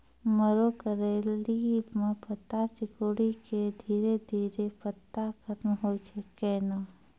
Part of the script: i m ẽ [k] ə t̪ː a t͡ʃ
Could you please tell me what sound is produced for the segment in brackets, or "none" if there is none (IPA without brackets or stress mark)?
p